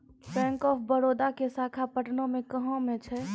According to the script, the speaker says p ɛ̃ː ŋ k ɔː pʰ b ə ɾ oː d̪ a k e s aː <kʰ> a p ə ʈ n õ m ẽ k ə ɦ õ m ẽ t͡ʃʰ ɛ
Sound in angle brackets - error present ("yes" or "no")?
no